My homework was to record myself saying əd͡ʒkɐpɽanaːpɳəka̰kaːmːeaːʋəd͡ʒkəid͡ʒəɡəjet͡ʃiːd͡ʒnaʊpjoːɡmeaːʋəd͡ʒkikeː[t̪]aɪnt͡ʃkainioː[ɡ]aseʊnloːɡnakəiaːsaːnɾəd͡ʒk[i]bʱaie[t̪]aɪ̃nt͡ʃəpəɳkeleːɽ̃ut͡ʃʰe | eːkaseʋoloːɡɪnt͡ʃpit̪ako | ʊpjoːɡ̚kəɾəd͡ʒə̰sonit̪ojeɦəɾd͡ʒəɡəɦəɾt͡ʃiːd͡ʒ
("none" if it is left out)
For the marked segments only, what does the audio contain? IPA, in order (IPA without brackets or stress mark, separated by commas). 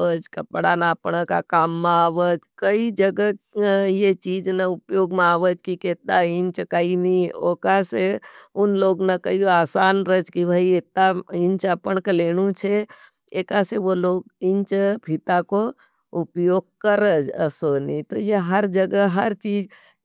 t̪, k, i, t̪